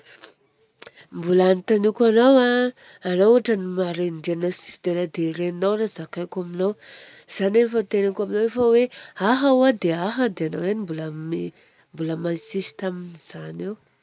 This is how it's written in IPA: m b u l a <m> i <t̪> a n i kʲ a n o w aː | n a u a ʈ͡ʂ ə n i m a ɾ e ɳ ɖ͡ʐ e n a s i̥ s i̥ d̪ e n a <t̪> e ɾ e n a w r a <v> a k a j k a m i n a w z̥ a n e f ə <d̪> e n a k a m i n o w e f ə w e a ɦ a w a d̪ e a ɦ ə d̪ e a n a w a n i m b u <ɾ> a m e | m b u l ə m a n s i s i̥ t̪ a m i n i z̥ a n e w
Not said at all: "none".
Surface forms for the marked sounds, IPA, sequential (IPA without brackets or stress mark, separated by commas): n, t̪, d̪, z, t̪, l